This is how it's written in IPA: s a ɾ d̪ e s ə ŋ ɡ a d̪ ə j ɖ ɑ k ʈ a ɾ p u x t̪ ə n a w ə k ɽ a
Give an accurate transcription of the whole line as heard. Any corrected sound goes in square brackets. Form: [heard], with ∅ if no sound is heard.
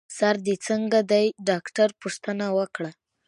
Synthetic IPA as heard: s a ɾ d̪ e [t͡s] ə ŋ ɡ a d̪ [a] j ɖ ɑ k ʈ a ɾ p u [ʂ] t̪ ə n a w ə k ɽ a